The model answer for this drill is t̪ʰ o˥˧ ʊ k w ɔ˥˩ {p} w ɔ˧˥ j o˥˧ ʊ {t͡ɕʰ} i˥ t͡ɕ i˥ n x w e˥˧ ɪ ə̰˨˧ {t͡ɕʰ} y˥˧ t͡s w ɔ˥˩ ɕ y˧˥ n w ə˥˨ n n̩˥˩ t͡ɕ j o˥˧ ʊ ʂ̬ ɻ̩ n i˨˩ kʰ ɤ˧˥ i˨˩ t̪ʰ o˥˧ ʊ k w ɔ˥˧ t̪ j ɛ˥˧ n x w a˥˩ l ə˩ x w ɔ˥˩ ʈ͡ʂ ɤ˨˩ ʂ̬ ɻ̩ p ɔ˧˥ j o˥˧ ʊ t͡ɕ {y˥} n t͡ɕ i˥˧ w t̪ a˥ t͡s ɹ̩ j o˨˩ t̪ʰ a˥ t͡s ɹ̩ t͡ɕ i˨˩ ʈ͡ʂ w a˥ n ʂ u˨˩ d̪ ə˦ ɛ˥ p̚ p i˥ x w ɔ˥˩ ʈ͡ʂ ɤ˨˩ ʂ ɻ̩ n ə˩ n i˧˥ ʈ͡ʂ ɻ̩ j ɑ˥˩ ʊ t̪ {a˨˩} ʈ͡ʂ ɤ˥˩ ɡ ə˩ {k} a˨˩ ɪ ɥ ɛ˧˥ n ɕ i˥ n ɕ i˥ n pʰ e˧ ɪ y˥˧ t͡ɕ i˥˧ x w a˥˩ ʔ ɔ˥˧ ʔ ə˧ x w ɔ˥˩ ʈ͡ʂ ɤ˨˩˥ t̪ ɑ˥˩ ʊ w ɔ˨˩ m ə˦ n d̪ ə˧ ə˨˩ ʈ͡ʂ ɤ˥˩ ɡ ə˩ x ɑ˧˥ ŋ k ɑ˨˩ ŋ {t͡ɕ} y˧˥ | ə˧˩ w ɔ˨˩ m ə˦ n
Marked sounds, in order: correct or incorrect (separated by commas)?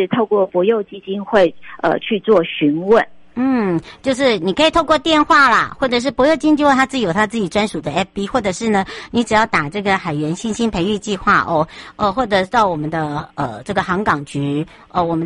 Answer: correct, incorrect, correct, incorrect, correct, incorrect, correct